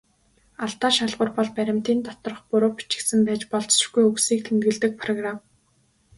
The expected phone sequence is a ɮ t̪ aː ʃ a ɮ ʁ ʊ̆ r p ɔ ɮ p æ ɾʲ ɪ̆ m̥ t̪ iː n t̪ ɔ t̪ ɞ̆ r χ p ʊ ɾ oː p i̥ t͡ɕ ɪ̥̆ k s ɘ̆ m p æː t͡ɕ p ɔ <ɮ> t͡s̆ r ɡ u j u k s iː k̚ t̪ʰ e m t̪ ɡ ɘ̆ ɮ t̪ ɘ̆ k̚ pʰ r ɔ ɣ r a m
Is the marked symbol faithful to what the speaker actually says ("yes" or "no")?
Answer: yes